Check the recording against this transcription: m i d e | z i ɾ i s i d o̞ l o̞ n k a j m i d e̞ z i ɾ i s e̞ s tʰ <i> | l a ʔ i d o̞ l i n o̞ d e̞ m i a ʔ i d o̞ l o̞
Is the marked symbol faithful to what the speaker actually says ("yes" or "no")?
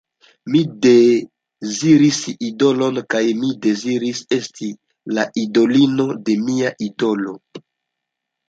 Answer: yes